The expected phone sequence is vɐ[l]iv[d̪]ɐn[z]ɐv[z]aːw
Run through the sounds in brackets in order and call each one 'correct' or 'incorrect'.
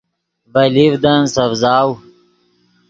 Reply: correct, correct, incorrect: s, correct

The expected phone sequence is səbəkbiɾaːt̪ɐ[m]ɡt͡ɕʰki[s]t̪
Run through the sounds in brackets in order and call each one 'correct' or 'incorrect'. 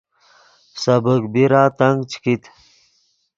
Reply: incorrect: ŋ, incorrect: none

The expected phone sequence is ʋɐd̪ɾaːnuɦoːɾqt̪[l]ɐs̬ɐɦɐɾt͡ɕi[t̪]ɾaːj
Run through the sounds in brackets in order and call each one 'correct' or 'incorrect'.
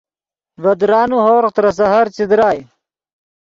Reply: incorrect: ɾ, incorrect: d̪

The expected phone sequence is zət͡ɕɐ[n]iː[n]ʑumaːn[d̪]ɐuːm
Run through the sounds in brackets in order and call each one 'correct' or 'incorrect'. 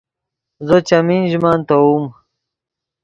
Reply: incorrect: m, correct, incorrect: t̪

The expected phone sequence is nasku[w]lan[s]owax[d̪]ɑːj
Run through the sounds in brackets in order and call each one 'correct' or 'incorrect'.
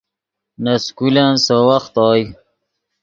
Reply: incorrect: none, correct, incorrect: t̪

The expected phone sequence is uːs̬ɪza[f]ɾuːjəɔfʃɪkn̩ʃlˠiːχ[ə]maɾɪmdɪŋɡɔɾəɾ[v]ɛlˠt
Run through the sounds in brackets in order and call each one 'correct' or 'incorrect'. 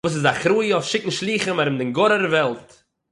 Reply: incorrect: χ, correct, correct

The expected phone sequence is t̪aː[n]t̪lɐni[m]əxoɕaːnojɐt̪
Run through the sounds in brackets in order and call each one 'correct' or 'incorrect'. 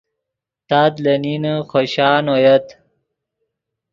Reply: incorrect: none, incorrect: n

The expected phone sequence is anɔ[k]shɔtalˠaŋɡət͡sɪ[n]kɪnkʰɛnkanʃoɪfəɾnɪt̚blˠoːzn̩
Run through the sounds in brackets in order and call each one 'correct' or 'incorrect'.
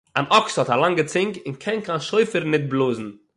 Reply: correct, incorrect: ŋ

